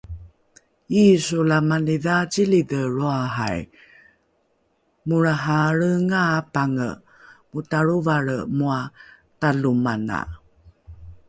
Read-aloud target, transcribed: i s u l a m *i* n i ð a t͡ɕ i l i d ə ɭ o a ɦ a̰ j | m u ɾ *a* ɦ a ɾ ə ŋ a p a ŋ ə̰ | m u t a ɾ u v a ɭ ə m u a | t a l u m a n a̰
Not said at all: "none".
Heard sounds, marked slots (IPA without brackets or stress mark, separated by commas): a, a